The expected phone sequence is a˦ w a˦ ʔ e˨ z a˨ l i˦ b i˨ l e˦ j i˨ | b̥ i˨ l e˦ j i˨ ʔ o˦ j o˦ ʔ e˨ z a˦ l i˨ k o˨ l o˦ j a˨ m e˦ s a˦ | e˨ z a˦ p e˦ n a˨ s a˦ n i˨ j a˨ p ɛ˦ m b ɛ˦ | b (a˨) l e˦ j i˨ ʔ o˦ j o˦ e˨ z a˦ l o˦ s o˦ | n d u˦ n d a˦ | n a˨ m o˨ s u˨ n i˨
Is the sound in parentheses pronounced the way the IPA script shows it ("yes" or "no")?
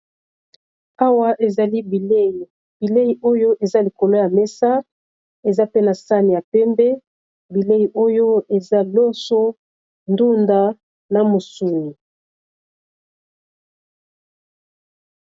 no